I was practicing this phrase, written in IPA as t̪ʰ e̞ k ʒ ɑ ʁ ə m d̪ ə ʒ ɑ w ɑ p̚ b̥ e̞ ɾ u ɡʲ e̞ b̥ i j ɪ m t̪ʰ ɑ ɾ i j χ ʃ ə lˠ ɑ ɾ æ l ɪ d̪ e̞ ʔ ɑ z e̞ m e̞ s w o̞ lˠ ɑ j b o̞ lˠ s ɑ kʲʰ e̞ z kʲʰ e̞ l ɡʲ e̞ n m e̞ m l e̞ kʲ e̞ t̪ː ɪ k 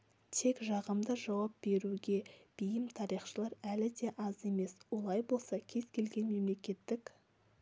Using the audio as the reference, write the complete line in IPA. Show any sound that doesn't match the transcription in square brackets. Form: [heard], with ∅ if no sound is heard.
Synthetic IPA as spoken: t̪ʰ e̞ k ʒ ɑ ʁ ə m d̪ ə ʒ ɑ w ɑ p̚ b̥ e̞ ɾ u ɡʲ e̞ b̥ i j ɪ m t̪ʰ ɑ ɾ i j χ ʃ ə lˠ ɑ ɾ æ l ɪ d̪ e̞ ʔ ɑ z e̞ m e̞ s w o̞ lˠ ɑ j b o̞ lˠ s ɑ kʲʰ e̞ z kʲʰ e̞ l ɡʲ e̞ n m e̞ m l e̞ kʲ e̞ t̪ː ɪ k